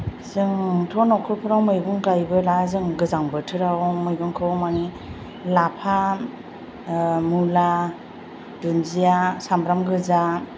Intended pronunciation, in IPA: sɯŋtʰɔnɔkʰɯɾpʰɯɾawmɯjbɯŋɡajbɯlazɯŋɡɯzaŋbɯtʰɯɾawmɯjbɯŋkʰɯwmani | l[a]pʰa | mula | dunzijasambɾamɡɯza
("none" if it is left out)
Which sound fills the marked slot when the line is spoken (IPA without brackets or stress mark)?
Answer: a